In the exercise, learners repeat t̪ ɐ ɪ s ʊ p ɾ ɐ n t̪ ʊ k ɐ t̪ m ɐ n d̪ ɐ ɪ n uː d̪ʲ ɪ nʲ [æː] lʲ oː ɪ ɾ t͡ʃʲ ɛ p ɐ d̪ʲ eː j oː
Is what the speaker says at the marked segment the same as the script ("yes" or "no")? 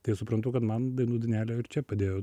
yes